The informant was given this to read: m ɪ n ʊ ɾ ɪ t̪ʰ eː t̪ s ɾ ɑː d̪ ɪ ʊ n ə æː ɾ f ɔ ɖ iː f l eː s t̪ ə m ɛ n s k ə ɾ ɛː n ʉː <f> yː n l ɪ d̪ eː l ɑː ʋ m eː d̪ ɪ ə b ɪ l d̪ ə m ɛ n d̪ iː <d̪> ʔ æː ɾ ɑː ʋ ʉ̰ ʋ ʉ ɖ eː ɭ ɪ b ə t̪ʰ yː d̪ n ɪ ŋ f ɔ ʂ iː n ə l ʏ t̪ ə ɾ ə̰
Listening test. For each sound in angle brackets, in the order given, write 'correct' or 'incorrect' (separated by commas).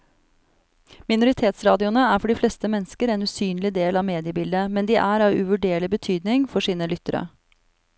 incorrect, incorrect